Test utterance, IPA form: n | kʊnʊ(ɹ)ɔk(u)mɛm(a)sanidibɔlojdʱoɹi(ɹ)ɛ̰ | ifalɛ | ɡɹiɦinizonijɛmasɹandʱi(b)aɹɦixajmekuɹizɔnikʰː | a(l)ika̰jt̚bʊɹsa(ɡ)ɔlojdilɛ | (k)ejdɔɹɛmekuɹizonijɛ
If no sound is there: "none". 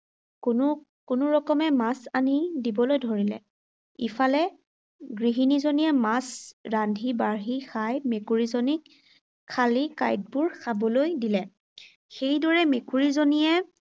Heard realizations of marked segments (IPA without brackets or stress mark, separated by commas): ɹ, ɔ, a, l, b, l, b, x